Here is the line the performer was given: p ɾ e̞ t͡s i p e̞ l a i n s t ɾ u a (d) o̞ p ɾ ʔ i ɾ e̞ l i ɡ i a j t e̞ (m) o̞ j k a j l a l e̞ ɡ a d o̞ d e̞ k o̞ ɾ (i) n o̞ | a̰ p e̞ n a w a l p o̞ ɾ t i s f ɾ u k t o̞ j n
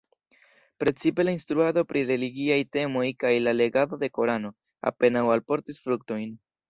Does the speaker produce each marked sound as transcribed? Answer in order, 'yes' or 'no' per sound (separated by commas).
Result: yes, yes, no